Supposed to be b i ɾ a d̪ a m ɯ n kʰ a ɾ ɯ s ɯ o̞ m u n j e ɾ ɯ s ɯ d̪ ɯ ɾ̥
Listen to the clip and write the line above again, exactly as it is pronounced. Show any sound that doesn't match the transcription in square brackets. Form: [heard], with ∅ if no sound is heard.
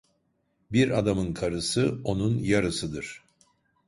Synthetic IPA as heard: b i ɾ a d̪ a m ɯ n kʰ a ɾ ɯ s ɯ o̞ [n] u n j [a] ɾ ɯ s ɯ d̪ ɯ ɾ̥